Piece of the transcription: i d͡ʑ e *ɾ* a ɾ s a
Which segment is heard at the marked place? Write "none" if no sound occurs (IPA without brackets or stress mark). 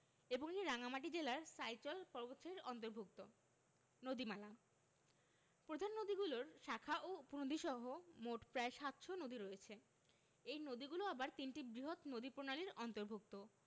l